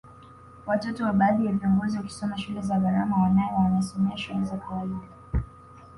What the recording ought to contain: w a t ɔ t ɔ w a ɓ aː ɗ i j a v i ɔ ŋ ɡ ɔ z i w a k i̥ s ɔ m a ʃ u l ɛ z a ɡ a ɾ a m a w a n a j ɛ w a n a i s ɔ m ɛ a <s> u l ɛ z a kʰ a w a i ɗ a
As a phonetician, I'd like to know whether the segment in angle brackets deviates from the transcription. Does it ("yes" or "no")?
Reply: yes